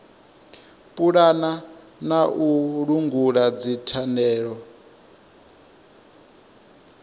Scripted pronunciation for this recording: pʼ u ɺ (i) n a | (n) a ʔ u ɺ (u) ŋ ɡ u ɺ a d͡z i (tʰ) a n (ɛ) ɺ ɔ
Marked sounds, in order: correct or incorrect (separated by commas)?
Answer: incorrect, correct, correct, correct, incorrect